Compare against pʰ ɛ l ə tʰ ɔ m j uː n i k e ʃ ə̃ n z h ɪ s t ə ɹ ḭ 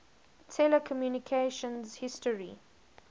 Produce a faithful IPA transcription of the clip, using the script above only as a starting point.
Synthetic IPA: tʰ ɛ l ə kʰ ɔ m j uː n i kʰ e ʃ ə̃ n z h ɪ s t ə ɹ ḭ